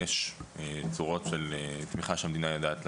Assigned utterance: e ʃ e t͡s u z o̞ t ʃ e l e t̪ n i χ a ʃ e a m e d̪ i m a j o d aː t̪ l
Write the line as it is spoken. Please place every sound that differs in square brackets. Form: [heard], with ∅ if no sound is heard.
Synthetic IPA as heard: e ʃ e t͡s u [ʁ] o̞ t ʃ e l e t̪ [m] i χ a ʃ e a m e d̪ i [n] a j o d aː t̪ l